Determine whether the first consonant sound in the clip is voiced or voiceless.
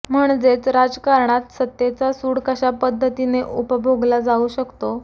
voiced